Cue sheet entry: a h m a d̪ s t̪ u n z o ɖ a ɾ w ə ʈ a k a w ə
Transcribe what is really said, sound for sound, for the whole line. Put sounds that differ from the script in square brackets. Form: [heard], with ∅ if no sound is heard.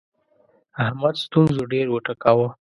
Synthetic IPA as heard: a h m a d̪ s t̪ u n z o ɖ [e] ɾ w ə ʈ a k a w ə